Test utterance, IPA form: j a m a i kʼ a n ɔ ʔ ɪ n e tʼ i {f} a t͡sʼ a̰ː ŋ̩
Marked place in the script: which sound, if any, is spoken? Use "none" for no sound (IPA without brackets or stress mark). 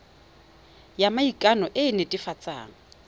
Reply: f